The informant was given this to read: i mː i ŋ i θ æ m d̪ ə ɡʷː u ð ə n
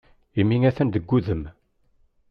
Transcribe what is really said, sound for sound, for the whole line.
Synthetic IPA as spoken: i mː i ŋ æ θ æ n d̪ ə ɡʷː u ð ə m